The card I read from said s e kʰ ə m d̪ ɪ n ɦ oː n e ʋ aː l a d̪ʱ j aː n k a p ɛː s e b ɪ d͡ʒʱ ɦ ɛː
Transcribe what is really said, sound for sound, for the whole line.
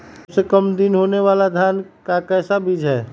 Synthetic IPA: s e k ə m d̪ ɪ n ɦ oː n e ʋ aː l a d̪ʱ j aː n k a k ɛː s a b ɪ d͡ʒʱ ɦ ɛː